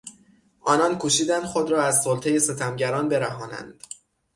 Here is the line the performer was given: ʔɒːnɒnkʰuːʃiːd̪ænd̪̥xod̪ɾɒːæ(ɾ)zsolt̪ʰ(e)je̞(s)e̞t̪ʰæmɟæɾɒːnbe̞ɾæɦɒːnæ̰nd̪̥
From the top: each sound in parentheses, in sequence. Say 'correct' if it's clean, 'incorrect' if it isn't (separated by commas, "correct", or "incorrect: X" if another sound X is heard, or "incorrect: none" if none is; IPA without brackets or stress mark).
incorrect: none, correct, correct